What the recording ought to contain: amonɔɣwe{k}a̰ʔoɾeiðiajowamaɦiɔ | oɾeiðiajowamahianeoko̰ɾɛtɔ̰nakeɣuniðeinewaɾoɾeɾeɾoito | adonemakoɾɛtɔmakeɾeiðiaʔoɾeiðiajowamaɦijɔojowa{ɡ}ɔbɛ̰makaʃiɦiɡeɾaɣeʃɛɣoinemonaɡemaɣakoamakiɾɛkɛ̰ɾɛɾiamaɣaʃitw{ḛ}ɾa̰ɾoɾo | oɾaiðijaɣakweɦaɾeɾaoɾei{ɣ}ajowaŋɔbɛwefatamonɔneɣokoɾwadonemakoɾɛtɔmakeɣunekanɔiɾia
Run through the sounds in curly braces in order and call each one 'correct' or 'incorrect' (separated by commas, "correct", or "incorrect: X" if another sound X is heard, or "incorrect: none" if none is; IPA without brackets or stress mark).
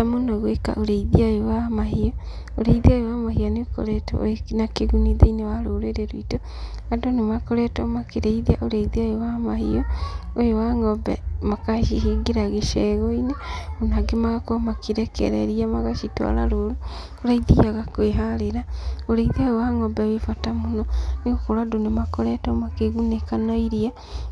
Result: correct, incorrect: ŋ, incorrect: a̰, incorrect: ð